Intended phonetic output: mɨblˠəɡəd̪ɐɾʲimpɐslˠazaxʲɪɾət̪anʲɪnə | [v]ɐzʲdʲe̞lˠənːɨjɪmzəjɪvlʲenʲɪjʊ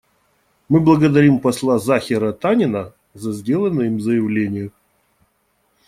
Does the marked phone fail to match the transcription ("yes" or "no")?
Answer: yes